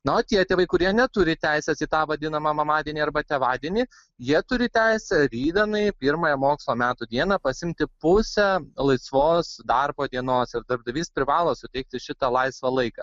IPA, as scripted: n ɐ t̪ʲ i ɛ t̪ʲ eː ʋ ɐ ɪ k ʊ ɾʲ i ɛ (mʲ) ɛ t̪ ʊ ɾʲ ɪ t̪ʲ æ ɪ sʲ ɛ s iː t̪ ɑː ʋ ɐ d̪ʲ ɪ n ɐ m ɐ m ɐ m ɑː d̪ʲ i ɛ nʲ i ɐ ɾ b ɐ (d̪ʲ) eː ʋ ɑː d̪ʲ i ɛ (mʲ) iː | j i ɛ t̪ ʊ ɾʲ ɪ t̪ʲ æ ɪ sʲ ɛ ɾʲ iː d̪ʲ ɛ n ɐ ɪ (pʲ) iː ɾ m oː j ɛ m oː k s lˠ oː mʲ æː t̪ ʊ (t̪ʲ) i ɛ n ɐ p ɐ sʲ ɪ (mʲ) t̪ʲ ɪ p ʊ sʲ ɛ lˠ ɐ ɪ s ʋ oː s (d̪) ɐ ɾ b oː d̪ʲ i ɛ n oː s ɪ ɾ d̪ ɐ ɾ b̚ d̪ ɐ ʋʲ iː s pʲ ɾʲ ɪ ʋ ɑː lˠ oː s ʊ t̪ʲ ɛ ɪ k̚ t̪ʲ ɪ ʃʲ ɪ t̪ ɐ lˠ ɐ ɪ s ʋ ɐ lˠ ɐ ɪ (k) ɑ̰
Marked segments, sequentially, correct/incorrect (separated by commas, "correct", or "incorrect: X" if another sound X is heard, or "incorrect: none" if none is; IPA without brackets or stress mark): incorrect: nʲ, incorrect: t̪ʲ, incorrect: nʲ, correct, incorrect: d̪ʲ, correct, correct, correct